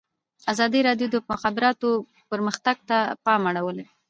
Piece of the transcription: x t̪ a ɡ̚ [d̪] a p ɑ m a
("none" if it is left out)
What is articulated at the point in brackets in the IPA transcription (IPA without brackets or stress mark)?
t̪